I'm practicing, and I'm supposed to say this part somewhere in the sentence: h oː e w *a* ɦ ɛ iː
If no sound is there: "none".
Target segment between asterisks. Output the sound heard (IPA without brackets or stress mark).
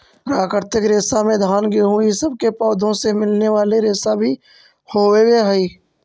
e